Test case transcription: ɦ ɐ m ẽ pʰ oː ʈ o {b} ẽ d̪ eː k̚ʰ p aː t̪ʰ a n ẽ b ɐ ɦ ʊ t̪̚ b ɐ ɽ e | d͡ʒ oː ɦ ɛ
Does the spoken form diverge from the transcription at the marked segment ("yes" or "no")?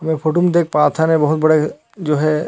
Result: yes